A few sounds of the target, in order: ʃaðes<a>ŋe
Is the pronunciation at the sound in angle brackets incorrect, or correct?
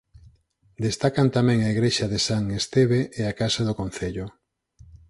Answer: correct